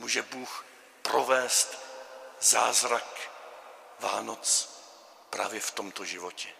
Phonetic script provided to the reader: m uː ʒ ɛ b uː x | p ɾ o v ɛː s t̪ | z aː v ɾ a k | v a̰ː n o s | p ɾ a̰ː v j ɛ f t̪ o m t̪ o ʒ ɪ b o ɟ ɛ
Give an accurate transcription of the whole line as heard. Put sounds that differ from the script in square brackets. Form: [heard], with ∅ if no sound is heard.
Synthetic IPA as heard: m uː ʒ ɛ b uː x | p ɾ o v ɛː s t̪ | z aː [z] ɾ a k | v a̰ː n o [t͡s] | p ɾ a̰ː v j ɛ f t̪ o m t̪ o ʒ ɪ [v] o [c] ɛ